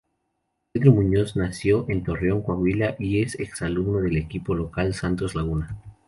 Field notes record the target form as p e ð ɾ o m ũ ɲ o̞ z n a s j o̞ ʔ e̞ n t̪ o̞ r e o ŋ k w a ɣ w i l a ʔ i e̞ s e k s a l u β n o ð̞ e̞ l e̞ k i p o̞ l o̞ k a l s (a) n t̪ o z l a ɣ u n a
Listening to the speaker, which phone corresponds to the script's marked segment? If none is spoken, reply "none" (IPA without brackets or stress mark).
a